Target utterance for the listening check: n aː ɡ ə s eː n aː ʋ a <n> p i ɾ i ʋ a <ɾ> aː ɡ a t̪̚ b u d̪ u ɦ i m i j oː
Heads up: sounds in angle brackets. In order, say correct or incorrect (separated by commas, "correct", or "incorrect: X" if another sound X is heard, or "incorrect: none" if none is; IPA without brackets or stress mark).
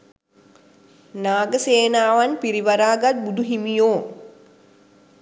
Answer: correct, correct